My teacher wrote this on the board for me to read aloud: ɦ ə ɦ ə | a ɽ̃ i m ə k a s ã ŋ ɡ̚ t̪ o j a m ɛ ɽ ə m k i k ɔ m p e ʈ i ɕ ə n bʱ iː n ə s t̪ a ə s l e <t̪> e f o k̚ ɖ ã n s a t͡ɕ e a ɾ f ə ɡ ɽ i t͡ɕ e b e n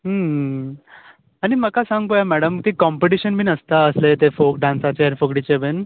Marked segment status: correct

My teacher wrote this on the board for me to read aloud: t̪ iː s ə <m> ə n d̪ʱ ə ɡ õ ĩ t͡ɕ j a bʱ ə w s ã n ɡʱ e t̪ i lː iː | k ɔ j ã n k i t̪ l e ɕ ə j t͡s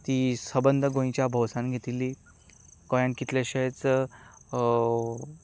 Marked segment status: incorrect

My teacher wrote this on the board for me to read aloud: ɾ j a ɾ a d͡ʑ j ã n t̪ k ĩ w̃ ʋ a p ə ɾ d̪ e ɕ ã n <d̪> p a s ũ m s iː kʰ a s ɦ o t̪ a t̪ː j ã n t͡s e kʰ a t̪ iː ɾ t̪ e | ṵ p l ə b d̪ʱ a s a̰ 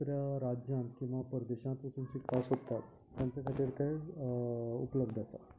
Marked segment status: incorrect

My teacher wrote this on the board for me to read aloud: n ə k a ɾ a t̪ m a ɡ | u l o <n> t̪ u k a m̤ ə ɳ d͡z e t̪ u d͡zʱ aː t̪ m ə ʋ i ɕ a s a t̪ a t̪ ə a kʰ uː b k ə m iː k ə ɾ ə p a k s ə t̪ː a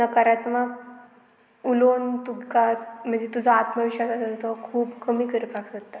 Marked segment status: correct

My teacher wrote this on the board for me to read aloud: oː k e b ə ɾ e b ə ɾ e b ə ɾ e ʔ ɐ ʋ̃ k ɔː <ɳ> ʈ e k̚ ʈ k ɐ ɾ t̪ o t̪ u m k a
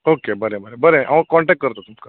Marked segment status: correct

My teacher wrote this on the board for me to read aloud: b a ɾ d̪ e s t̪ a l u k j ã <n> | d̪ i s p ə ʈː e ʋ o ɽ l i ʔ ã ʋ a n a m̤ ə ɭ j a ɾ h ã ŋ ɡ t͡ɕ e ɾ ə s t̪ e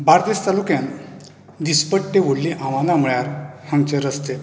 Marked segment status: correct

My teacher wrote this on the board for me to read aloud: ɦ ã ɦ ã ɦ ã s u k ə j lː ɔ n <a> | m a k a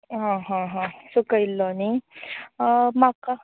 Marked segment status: incorrect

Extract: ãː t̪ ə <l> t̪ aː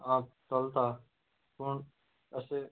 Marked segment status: correct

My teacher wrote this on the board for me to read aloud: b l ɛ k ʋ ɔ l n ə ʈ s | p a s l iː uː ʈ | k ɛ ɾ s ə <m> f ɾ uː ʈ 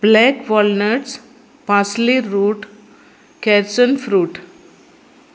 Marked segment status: incorrect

